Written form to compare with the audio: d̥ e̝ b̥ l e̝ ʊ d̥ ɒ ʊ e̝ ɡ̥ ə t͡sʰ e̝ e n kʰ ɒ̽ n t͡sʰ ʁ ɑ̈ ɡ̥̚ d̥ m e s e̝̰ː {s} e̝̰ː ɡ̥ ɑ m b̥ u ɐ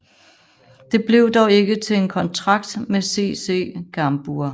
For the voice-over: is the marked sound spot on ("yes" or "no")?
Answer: yes